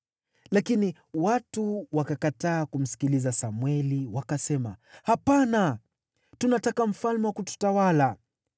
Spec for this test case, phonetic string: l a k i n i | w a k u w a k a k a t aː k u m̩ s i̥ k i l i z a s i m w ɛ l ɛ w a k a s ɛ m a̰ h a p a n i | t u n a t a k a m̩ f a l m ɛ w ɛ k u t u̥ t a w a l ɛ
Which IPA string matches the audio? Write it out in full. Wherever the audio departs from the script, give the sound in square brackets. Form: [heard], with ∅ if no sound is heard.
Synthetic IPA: l a k i n i | w a [t] u w a k a k a t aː k u m̩ s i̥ k i l i z a s [a] m w ɛ l [i] w a k a s ɛ m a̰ h a p a n [a] | t u n a t a k a m̩ f a l m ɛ w [a] k u t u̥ t a w a l [a]